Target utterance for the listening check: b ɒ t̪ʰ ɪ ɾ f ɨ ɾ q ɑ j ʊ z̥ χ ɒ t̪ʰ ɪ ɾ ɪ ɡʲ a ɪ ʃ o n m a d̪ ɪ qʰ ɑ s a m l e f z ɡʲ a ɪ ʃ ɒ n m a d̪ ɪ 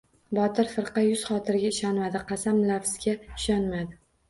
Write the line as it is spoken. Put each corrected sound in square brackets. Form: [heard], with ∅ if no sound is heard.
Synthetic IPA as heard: b ɒ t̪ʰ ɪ ɾ f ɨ ɾ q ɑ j ʊ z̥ χ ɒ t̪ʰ ɪ ɾ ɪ ɡʲ a ɪ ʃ [ɒ] n m a d̪ ɪ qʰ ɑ s a m l [a] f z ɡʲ a ɪ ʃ ɒ n m a d̪ ɪ